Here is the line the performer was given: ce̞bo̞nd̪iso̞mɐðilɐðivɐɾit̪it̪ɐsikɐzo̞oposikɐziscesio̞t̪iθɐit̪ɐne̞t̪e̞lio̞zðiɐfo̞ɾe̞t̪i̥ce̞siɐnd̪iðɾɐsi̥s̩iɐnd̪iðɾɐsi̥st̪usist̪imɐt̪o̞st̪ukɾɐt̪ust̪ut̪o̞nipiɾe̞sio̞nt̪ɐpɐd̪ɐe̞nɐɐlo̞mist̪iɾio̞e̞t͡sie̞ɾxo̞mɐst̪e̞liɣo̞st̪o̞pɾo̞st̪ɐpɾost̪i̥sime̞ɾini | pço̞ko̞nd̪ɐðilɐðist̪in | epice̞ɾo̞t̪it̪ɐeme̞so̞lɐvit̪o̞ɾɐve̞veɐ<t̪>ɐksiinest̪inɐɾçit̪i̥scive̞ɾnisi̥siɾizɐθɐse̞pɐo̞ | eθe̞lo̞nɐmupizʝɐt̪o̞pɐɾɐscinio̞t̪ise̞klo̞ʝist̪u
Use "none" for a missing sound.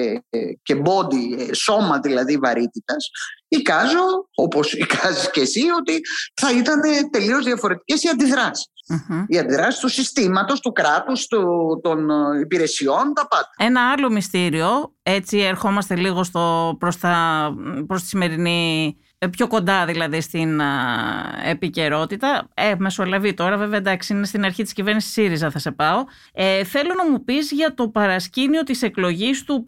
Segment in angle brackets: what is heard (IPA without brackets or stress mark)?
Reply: d̪